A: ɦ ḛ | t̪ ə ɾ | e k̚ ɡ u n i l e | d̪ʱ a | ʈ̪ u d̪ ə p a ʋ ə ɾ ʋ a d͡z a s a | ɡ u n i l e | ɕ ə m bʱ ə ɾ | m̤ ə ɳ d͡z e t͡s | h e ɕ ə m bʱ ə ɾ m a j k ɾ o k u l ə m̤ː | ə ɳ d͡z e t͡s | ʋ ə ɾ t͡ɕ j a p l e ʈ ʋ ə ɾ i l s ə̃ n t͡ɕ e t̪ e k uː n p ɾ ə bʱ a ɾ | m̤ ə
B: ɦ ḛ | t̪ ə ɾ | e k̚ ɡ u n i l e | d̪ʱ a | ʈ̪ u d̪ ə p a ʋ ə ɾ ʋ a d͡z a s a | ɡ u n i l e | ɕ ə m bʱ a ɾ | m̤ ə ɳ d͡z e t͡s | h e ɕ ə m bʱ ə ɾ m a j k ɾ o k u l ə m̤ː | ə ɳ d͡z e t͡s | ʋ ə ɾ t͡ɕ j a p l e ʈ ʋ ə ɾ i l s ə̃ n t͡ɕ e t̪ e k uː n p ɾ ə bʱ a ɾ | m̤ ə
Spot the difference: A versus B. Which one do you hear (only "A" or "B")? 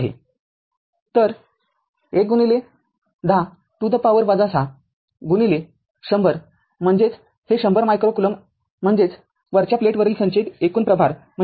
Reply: A